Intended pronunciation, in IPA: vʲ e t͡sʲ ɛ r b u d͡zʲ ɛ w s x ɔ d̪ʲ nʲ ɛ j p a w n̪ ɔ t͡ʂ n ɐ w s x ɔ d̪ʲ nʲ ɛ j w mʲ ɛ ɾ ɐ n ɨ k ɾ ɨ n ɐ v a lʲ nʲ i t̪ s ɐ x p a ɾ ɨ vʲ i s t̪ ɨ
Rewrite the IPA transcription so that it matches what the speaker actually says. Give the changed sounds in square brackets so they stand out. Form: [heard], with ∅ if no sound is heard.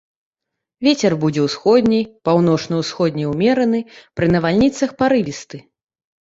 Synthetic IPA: vʲ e t͡sʲ ɛ r b u d͡zʲ ɛ w s x ɔ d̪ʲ nʲ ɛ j p a w n̪ ɔ t͡ʂ n ɐ w s x ɔ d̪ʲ nʲ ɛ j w mʲ ɛ ɾ ɐ n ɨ [p] ɾ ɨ n ɐ v a lʲ nʲ i t̪ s ɐ x p a ɾ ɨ vʲ i s t̪ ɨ